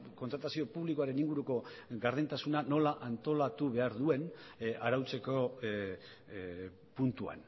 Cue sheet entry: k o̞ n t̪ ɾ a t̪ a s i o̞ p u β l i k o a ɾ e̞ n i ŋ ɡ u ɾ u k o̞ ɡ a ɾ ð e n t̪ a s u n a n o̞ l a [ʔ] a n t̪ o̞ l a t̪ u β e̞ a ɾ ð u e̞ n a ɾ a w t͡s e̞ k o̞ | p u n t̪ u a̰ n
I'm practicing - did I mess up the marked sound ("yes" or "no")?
no